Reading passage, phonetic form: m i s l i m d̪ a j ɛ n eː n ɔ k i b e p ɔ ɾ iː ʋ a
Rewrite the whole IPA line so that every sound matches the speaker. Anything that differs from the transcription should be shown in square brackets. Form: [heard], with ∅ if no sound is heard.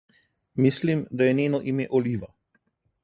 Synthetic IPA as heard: m i s l i m d̪ a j ɛ n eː n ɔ [ʔ] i [m] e [ʔ] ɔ [l] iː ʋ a